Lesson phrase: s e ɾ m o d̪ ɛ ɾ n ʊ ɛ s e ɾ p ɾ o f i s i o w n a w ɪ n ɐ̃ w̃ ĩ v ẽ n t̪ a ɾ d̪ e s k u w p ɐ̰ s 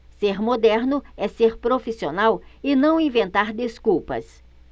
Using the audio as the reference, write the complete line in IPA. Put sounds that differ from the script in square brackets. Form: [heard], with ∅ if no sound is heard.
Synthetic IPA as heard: s e ɾ m o d̪ ɛ ɾ n ʊ ɛ s e ɾ p ɾ o f i s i o [∅] n a w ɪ n ɐ̃ w̃ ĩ v ẽ n t̪ a ɾ d̪ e s k u w p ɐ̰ s